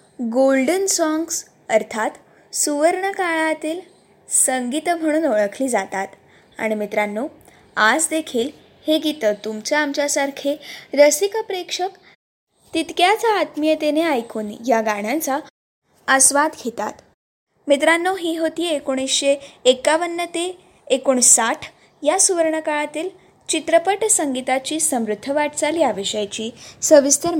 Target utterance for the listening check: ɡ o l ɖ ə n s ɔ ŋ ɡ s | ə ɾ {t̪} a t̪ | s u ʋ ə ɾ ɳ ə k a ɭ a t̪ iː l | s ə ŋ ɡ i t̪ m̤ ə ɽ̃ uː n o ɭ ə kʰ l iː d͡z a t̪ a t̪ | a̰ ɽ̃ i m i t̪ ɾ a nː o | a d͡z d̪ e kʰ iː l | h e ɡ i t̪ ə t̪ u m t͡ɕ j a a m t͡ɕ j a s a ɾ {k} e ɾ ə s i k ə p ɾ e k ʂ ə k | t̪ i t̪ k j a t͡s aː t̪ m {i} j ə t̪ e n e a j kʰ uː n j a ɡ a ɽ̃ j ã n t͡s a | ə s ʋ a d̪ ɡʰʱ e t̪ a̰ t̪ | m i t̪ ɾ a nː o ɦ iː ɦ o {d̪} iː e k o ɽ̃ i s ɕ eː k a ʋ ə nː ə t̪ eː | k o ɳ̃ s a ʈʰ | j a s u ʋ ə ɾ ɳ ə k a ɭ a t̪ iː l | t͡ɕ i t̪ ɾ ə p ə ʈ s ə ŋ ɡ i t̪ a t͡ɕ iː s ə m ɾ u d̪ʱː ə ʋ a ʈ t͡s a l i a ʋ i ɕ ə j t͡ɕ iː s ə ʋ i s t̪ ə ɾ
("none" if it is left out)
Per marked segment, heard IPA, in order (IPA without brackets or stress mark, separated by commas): t̪ʰ, kʰ, i, t̪